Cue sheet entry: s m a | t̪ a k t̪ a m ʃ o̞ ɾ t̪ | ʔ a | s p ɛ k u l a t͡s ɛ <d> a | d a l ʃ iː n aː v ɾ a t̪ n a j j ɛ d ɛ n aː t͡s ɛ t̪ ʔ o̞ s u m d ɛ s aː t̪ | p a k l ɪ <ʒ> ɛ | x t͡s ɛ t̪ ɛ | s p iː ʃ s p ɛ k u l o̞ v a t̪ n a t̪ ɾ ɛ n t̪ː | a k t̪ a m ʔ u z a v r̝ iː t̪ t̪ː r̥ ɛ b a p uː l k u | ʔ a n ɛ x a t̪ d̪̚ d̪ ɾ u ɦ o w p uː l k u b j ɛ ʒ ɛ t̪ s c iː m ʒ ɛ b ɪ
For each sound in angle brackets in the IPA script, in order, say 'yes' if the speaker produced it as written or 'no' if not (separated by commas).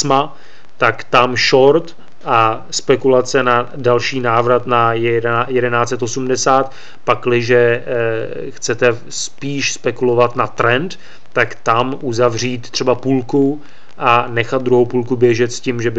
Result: no, yes